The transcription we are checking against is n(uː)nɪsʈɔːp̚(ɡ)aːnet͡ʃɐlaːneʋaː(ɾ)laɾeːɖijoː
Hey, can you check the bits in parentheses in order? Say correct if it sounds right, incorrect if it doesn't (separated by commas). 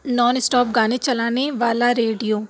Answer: incorrect, correct, incorrect